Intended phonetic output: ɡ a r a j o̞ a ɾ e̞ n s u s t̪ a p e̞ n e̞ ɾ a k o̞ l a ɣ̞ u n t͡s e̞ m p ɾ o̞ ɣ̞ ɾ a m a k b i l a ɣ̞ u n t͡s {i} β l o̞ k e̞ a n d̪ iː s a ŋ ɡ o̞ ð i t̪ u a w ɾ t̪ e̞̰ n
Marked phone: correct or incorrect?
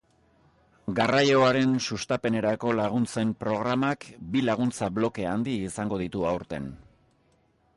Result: incorrect